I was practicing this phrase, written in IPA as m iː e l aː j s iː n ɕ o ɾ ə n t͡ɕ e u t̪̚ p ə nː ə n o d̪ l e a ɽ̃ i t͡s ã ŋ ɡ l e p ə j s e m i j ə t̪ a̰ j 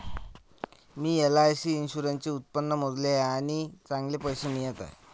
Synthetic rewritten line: m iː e l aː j s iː n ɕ u ɾ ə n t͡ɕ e u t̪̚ p ə nː ə m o d̪ l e a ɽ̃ i t͡s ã ŋ ɡ l e p ə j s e m i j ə t̪ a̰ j